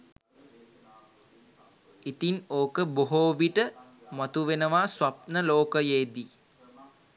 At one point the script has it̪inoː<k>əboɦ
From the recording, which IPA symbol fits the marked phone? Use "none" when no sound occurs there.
k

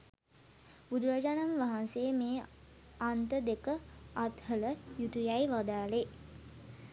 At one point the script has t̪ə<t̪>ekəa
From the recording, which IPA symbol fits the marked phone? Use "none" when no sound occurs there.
d̪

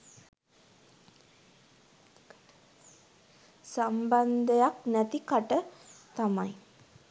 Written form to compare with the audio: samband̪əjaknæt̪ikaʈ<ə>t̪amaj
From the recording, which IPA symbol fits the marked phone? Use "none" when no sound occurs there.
ə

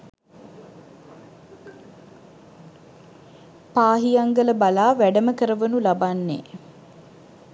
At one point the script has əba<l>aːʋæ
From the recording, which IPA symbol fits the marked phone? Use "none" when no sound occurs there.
l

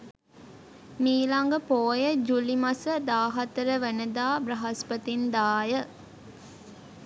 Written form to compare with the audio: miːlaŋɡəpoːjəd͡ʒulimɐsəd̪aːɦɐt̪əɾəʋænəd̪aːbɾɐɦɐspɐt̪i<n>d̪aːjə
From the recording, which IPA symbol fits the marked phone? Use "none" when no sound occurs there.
n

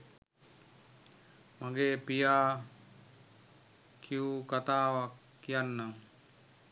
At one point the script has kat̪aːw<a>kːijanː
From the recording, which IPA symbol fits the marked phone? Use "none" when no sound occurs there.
a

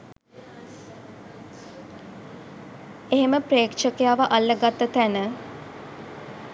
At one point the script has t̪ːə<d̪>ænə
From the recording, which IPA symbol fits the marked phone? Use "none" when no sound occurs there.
t̪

